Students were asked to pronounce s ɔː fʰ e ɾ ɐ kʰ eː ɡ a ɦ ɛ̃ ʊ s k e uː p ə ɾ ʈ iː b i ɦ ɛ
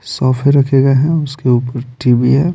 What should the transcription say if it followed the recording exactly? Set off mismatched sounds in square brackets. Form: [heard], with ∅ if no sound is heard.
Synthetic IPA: s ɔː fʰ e ɾ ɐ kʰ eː ɡ a ɦ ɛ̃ ʊ s k e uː p ə ɾ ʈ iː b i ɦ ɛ

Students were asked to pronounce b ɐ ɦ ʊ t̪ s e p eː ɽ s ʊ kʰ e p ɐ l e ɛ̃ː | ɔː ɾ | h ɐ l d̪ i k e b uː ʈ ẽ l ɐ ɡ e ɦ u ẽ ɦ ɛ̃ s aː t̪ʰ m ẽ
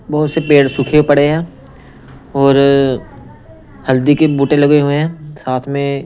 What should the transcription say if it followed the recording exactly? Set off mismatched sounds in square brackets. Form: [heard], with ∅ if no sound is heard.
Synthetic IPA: b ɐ ɦ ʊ t̪ s e p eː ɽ s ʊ kʰ e p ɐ [ɽ] e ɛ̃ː | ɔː ɾ | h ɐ l d̪ i k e b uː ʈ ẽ l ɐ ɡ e ɦ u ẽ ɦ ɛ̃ s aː t̪ʰ m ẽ

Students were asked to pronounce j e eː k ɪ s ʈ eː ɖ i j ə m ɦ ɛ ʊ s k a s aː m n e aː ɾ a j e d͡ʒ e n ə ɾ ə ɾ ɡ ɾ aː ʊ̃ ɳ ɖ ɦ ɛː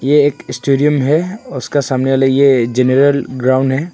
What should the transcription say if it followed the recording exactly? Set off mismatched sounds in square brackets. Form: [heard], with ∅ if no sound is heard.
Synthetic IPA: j e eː k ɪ s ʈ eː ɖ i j ə m ɦ ɛ ʊ s k a s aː m n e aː [l] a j e d͡ʒ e n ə ɾ ə [l] ɡ ɾ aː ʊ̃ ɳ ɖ ɦ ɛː

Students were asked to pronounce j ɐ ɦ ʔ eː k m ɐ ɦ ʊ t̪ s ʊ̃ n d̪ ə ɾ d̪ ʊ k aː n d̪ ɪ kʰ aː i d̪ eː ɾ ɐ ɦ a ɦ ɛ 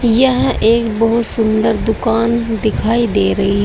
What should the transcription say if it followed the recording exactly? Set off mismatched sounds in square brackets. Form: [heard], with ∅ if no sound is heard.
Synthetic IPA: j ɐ ɦ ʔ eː k [b] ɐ ɦ ʊ t̪ s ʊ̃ n d̪ ə ɾ d̪ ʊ k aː n d̪ ɪ kʰ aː i d̪ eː ɾ ɐ ɦ [i] ɦ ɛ

